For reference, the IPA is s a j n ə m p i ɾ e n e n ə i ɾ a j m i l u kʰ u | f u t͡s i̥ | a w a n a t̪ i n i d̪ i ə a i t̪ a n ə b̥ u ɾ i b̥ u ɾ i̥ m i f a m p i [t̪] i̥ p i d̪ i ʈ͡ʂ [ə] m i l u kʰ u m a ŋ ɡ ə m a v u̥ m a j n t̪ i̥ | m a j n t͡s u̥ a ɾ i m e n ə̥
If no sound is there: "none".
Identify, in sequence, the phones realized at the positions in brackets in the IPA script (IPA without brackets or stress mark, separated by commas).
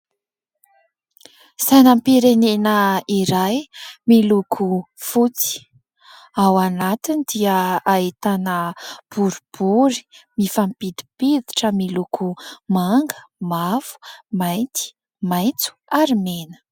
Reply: d̪, ə